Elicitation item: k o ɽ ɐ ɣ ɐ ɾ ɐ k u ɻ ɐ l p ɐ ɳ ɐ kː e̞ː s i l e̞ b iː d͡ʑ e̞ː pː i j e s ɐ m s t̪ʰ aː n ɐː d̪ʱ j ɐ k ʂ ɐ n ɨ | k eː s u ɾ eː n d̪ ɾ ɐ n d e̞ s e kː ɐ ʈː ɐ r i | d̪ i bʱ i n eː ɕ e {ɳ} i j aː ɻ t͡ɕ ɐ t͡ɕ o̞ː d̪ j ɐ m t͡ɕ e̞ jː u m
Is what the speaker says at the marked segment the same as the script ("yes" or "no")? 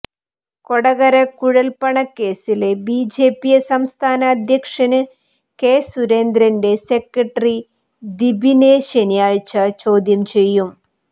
no